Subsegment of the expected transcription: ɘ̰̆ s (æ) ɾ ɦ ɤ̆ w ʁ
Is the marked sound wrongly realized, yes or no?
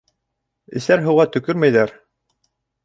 no